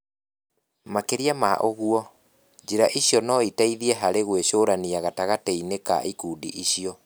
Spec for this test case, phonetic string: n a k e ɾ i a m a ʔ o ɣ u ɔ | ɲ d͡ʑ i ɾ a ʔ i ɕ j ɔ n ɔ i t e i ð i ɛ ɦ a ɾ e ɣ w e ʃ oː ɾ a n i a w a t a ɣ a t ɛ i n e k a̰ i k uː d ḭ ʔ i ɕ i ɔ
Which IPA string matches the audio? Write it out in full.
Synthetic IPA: m a k e ɾ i a m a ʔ o ɣ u ɔ | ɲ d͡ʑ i ɾ a ʔ i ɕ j ɔ n ɔ i t a i ð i ɛ ɦ a ɾ e ɣ w e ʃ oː ɾ a n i a ɣ a t a ɣ a t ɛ i n e k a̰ i k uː d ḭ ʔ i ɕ i ɔ